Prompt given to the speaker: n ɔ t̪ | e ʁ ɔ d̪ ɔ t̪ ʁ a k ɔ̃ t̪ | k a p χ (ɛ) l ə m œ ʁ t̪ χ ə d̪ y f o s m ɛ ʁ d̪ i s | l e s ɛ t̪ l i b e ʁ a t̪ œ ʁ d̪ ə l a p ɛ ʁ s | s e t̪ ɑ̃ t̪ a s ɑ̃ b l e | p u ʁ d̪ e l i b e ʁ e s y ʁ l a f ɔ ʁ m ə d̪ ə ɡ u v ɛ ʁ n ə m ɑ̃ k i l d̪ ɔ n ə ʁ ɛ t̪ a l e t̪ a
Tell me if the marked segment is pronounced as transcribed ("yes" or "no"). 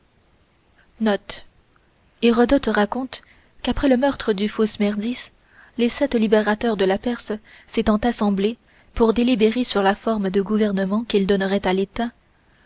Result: yes